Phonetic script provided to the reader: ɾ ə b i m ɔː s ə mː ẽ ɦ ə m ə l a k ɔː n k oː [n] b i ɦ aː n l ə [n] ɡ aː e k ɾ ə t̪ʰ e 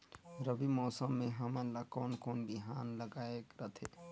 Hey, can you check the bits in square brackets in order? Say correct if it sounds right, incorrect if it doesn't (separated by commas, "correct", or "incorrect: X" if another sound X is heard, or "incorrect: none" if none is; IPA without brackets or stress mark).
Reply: correct, incorrect: none